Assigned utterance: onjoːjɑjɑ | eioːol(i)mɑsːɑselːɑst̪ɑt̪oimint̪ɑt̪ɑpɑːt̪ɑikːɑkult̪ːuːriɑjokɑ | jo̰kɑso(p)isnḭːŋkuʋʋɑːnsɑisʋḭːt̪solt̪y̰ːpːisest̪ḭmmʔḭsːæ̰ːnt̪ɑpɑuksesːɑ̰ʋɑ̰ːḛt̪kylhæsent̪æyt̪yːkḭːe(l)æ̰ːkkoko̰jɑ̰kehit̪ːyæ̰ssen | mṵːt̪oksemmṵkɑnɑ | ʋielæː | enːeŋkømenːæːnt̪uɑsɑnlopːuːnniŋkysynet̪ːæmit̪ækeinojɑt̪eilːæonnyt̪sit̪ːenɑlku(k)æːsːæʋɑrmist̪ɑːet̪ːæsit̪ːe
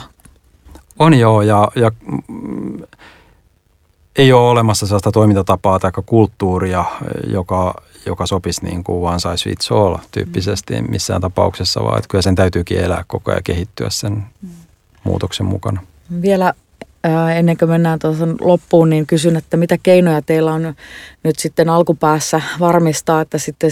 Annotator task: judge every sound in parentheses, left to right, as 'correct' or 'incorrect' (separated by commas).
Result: incorrect, correct, correct, incorrect